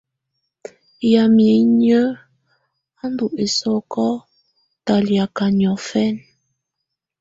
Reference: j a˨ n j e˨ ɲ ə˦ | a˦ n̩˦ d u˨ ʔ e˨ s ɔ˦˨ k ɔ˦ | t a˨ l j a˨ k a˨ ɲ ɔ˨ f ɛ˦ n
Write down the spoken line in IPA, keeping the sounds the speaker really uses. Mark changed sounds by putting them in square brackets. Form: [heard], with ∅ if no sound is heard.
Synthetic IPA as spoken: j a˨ [m] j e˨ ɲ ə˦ | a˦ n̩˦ d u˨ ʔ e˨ s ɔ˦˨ k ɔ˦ | t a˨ l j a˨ k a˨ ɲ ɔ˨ f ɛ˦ n

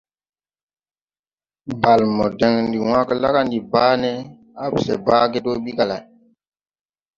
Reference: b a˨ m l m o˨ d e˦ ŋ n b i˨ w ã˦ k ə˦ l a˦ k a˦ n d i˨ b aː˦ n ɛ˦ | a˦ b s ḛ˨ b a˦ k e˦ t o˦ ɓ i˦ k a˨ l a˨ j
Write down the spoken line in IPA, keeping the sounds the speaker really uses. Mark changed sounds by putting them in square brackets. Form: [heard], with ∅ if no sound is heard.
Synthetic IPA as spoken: b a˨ [∅] l m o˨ d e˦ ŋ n [d] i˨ w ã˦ k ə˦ l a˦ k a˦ n d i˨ b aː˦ n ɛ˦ | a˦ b s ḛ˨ b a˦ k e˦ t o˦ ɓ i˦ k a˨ l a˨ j

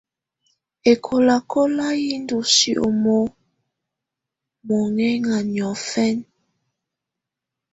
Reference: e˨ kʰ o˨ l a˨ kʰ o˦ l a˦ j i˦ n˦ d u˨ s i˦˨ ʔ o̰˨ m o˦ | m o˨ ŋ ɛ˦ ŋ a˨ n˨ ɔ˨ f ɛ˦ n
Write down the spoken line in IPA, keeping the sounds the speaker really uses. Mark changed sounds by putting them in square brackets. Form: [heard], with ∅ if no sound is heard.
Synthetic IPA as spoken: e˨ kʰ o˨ l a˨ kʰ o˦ l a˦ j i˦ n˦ d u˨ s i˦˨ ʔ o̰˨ m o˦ | m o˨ ŋ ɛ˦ ŋ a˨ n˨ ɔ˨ f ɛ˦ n

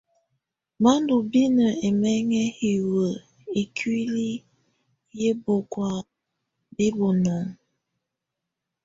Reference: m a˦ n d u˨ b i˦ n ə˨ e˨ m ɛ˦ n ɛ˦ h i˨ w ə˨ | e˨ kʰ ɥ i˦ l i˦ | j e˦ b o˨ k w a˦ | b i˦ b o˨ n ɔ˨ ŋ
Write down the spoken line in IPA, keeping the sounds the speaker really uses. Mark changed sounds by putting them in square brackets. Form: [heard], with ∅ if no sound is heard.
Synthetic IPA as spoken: m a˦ n d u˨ b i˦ n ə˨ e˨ m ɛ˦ [ŋ] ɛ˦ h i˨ w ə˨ | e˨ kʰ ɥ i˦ l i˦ | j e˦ b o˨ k w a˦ | b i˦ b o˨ n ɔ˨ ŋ

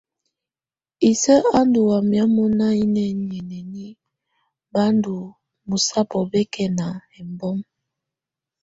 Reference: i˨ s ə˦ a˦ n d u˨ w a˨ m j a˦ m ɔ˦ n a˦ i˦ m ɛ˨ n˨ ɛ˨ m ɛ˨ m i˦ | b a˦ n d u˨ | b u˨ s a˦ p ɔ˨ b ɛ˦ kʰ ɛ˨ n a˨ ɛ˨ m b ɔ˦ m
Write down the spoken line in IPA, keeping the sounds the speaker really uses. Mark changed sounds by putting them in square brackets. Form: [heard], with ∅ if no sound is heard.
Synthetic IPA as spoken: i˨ s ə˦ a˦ n d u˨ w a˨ m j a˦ m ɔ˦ n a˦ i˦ [n] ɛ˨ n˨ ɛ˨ [n] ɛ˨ [n] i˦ | b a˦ n d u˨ | [m] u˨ s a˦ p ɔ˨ b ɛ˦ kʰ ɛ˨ n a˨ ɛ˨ m b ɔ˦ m

